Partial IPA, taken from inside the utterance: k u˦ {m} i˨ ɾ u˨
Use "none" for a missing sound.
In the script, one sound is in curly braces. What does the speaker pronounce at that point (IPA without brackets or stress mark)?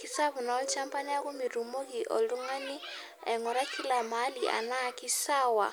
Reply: m